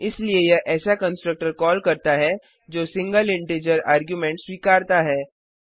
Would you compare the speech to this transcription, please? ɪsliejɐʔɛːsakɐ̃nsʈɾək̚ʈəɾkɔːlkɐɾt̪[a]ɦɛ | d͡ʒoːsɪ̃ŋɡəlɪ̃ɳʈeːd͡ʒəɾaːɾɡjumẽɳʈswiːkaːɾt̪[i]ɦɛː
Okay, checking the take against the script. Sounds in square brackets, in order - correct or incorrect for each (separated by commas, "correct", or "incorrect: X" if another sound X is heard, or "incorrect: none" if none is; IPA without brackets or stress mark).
correct, incorrect: a